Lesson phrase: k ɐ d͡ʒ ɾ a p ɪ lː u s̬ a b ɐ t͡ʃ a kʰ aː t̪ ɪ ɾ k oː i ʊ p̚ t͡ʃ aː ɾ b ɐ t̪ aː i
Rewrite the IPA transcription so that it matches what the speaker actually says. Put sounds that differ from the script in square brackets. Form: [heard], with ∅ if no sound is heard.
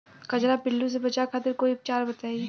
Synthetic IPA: k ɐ d͡ʒ ɾ a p ɪ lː u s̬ [e] b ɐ t͡ʃ a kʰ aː t̪ ɪ ɾ k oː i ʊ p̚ t͡ʃ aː ɾ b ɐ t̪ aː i